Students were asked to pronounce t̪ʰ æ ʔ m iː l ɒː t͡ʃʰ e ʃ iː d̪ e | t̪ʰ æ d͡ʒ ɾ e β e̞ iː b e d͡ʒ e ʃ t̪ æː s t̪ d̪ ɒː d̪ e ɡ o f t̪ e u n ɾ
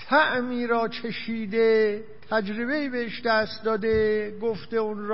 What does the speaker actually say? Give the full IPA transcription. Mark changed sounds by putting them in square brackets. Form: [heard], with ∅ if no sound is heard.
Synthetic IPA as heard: t̪ʰ æ ʔ m iː [ɾ] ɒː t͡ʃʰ e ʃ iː d̪ e | t̪ʰ æ d͡ʒ ɾ e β e̞ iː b e [∅] e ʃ [d̪] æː s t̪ d̪ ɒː d̪ e ɡ o f t̪ e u n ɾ